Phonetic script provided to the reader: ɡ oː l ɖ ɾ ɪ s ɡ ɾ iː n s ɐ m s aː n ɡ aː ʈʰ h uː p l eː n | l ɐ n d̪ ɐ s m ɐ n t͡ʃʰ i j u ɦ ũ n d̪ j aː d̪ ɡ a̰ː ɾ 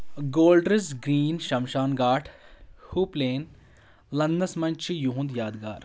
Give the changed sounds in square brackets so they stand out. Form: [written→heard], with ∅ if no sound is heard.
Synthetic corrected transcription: ɡ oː l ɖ ɾ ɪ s ɡ ɾ iː n [s→ʃ] ɐ m [s→ʃ] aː n ɡ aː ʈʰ h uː p l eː n | l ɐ n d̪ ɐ s m ɐ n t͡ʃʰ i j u ɦ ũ n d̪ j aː d̪ ɡ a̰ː ɾ